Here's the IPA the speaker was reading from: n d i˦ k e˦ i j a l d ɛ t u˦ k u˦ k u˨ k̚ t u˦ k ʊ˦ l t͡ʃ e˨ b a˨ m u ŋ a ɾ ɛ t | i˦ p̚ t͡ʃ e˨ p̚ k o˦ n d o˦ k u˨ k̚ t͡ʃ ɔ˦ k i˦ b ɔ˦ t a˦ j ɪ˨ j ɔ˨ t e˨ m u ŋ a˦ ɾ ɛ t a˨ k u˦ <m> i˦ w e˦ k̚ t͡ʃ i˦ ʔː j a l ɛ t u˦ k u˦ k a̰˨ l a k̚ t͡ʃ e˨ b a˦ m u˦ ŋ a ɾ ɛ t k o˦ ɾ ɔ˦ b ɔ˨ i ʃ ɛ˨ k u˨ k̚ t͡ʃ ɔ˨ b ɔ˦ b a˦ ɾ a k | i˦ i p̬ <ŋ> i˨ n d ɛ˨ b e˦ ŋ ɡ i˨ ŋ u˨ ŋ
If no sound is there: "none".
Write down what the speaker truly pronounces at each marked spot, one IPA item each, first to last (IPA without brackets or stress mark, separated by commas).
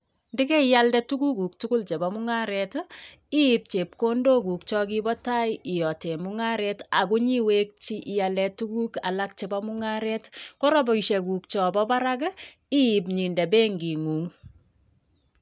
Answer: ɲ, ɲ